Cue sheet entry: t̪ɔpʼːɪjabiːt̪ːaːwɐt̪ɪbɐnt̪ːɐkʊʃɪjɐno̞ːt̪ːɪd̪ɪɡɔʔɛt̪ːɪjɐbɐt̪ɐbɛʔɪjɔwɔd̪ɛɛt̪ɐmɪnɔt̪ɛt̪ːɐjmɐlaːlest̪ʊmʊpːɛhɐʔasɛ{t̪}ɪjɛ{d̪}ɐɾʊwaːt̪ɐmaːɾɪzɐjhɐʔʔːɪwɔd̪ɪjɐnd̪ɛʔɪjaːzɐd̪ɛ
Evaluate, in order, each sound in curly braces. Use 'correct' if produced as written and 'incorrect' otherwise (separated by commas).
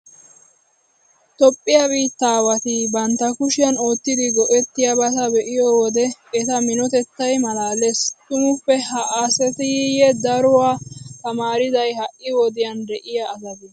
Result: correct, correct